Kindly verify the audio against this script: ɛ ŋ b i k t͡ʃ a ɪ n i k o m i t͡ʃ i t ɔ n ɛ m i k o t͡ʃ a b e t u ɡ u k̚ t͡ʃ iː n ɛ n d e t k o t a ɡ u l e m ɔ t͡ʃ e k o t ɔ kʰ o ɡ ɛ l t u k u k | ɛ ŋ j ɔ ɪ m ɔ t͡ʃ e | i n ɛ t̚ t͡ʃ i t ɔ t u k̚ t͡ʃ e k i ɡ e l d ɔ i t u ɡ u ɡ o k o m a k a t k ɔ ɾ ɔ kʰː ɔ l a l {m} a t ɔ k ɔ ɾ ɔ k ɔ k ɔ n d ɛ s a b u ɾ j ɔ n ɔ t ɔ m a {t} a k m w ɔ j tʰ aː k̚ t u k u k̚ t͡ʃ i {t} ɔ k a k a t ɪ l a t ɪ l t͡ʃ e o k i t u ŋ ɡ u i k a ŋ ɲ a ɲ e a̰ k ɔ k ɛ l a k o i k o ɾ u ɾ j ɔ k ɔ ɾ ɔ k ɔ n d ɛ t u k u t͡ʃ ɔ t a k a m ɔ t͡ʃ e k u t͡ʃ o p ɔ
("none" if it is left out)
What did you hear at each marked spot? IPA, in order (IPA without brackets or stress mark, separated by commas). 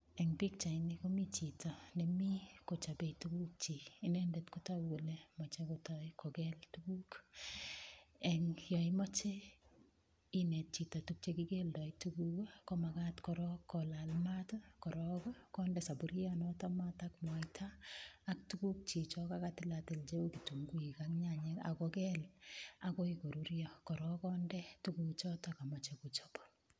m, t, t͡ʃ